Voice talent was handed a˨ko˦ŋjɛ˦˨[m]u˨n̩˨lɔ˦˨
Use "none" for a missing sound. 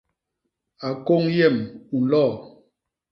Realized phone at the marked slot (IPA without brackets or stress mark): m